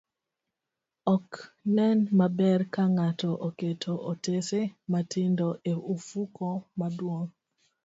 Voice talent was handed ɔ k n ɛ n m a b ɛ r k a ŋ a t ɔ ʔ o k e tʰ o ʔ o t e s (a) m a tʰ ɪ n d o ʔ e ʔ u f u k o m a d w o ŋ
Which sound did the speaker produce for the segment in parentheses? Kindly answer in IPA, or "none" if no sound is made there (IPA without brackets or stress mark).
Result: e